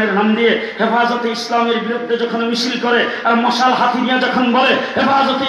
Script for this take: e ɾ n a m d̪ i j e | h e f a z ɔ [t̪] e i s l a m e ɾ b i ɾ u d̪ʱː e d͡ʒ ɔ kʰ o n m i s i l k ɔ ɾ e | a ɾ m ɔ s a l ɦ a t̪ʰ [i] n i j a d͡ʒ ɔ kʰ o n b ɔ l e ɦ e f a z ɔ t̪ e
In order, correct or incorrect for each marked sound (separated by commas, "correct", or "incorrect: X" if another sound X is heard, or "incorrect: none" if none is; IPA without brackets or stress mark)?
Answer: correct, correct